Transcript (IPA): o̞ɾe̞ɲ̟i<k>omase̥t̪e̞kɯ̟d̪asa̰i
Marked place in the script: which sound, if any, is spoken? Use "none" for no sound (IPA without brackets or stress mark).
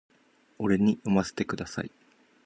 none